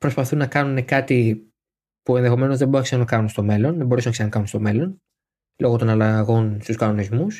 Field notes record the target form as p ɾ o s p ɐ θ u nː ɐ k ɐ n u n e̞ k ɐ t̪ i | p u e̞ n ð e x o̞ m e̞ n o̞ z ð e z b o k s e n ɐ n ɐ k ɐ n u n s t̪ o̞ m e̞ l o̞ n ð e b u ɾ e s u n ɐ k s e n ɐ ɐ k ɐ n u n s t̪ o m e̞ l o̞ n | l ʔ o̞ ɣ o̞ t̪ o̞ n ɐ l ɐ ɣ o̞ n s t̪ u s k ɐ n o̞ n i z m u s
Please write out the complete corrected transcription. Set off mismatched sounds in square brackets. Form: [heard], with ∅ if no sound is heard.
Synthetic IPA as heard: p ɾ o s p ɐ θ u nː ɐ k ɐ n u n e̞ k ɐ t̪ i | p u e̞ n ð e x o̞ m e̞ n o̞ z ð e [∅] b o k s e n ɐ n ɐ k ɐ n u n s t̪ o̞ m e̞ l o̞ n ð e b [o] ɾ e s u n ɐ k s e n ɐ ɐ k ɐ n u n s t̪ o m e̞ l o̞ n | l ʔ o̞ ɣ o̞ t̪ o̞ n ɐ l ɐ ɣ o̞ n s t̪ u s k ɐ n o̞ n i z m u s